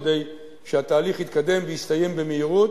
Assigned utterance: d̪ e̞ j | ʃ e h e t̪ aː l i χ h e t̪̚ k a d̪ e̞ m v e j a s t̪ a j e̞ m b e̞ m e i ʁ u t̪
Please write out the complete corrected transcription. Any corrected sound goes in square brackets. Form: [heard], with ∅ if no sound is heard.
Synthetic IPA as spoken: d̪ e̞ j | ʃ e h [a] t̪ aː l i χ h [i] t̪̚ k a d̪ e̞ m v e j [i] s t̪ a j e̞ m b e̞ m e i ʁ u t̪